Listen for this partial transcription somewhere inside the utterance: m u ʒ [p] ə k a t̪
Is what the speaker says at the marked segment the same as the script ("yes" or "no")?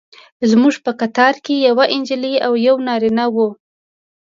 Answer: yes